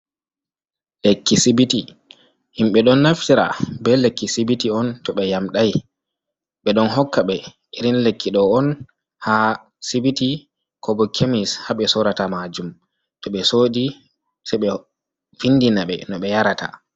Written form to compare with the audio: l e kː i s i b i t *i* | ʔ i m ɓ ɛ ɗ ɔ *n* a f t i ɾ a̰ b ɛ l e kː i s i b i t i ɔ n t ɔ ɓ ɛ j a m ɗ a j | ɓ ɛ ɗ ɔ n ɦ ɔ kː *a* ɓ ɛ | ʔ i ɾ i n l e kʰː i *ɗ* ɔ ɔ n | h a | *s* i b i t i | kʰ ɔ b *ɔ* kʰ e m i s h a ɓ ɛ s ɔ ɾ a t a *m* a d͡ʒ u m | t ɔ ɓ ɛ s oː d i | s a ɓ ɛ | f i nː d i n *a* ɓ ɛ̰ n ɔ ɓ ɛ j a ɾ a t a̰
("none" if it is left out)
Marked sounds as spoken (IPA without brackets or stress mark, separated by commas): i, nː, a, ɗ, s, ɔ, m, a